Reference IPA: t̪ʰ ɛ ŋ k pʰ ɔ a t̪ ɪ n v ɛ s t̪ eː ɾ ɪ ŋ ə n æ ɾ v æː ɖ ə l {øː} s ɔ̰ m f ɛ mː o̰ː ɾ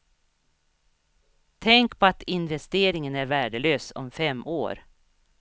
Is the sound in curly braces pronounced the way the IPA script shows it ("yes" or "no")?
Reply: yes